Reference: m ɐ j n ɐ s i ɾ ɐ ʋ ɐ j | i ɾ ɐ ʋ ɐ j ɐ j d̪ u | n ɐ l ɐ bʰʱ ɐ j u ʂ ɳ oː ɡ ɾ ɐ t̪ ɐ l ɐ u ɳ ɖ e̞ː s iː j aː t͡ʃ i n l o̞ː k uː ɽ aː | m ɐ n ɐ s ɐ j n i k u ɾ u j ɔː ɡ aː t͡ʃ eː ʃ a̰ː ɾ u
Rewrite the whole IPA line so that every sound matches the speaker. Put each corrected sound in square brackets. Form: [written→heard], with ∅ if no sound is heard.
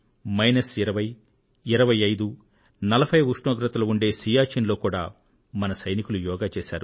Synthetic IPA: m ɐ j n ɐ s i ɾ ɐ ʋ ɐ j | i ɾ ɐ ʋ ɐ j ɐ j d̪ u | n ɐ l ɐ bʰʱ ɐ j u ʂ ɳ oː ɡ ɾ ɐ t̪ ɐ l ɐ u ɳ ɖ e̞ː s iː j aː t͡ʃ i n l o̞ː k uː ɽ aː | m ɐ n ɐ s ɐ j n i k u [ɾ→l] u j ɔː ɡ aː t͡ʃ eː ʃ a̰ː ɾ u